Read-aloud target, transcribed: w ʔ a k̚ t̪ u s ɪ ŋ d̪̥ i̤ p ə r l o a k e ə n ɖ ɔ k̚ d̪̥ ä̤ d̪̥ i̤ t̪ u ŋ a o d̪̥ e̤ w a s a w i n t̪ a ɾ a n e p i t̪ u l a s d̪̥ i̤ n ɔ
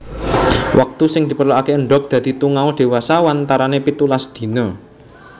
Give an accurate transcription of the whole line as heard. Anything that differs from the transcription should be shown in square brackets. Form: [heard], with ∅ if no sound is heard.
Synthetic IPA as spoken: w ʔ a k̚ t̪ u s ɪ ŋ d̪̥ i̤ p ə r l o a k e ə [ɳ] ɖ ɔ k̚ d̪̥ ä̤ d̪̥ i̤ t̪ u ŋ a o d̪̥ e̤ w a s a w [a] n t̪ a ɾ a n e p i t̪ u l a s d̪̥ i̤ n ɔ